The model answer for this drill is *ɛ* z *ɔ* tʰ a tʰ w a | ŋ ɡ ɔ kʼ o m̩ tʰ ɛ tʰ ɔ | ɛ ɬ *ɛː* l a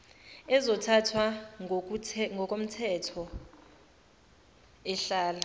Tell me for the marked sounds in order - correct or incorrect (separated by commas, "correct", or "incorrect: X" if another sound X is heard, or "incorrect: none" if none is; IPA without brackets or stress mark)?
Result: correct, correct, incorrect: aː